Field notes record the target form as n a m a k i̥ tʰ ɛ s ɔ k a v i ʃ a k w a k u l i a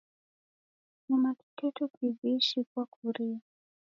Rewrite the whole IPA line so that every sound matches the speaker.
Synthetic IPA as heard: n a m a k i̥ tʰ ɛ t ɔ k i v i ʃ i k w a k u ɾ i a